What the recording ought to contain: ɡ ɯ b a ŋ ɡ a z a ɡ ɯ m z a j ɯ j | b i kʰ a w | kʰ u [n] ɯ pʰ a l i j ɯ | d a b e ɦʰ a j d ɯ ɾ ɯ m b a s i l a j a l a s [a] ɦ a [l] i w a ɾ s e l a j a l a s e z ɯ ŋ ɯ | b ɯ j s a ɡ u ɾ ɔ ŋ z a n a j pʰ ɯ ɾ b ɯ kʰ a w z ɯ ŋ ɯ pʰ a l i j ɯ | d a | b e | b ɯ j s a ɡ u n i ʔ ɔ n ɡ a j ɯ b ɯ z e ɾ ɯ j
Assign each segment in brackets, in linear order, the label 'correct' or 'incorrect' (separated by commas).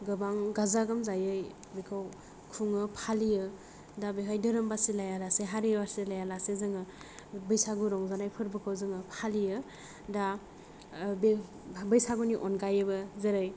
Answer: incorrect, incorrect, incorrect